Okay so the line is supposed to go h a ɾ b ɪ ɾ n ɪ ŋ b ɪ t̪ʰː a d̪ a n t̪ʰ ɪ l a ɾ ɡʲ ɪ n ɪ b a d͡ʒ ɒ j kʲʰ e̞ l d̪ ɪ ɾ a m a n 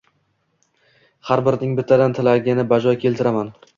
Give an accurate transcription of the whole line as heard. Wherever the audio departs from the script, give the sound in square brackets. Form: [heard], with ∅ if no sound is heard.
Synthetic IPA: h a ɾ b ɪ ɾ n ɪ ŋ b ɪ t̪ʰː a d̪ a n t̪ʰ ɪ l a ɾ ɡʲ ɪ n ɪ b a d͡ʒ ɒ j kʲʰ e̞ l [t̪] ɪ ɾ a m a n